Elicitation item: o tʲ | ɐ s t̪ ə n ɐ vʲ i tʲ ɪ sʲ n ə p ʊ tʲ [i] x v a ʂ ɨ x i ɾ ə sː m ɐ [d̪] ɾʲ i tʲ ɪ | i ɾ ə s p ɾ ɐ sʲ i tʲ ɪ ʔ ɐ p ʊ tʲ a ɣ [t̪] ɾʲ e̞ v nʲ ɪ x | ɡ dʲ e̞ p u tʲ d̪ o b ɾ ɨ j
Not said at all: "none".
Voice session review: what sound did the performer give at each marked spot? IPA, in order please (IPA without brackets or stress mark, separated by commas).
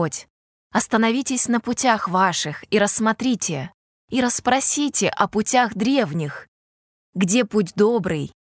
a, t̪, d̪